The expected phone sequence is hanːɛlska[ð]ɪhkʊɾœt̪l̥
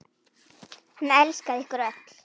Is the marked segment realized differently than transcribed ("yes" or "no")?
no